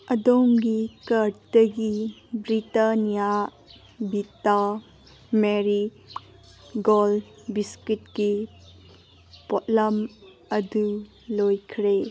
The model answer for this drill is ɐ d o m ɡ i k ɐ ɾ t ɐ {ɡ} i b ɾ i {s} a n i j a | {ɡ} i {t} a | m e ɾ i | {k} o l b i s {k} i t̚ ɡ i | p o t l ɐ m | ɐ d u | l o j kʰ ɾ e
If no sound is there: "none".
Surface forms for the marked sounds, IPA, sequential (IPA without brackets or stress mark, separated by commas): ɡ, t, b, t, ɡ, k